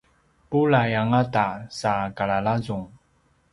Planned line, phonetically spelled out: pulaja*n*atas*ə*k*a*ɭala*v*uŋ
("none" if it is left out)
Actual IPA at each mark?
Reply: ŋ, a, a, z

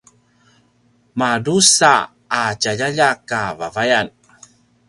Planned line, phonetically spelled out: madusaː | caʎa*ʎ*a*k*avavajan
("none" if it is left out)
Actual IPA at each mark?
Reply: ʎ, k

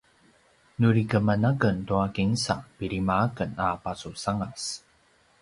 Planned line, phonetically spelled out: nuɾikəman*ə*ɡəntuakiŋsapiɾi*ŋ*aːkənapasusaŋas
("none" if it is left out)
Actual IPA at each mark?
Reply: a, m

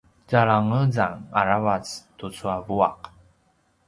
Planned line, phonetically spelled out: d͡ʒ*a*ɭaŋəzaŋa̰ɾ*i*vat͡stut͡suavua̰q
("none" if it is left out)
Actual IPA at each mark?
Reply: a, a

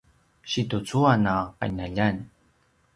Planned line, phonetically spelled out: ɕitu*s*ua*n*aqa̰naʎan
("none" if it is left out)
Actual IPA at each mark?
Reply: t͡s, n

